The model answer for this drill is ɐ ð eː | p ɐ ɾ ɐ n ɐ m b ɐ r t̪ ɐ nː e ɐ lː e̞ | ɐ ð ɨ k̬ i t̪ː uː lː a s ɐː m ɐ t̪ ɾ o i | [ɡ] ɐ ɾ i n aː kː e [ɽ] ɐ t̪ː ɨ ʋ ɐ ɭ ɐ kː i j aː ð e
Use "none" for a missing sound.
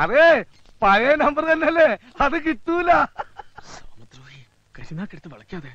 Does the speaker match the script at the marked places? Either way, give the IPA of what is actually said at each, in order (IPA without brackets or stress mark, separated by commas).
k, ɽ